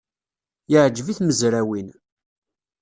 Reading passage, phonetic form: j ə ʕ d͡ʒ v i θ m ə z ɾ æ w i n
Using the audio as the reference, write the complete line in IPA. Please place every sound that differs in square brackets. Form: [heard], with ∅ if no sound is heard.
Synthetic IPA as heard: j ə ʕ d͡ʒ v i θ m ə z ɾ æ w i n